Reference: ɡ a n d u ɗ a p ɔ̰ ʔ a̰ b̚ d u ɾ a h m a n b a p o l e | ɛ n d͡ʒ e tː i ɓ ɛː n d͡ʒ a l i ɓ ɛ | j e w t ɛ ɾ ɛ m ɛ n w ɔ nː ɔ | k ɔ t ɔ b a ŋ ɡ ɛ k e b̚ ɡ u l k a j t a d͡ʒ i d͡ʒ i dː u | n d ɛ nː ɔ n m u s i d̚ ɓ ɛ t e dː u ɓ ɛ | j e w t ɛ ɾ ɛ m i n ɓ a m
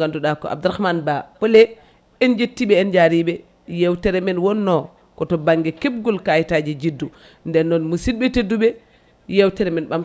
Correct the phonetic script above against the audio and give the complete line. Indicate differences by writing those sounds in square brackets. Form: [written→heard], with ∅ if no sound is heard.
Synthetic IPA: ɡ a n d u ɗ a [p→k] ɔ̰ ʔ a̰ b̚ d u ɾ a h m a n b a p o l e | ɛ n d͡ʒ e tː i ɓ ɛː n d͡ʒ a [l→ɾ] i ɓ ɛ | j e w t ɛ ɾ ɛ m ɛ n w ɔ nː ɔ | k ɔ t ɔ b a ŋ ɡ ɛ k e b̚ ɡ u l k a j t a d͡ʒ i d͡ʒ i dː u | n d ɛ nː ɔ n m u s i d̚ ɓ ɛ t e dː u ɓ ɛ | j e w t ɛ ɾ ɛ m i n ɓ a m